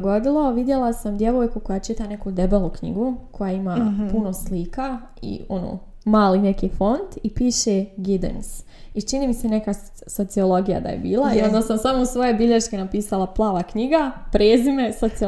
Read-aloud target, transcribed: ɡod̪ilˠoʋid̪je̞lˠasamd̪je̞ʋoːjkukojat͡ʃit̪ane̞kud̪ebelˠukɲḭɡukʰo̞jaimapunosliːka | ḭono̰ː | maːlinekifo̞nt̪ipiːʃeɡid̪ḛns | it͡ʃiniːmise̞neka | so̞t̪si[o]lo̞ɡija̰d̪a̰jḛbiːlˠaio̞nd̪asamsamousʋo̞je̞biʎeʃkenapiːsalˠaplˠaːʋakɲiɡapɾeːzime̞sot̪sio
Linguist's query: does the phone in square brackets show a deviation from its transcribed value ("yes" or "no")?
no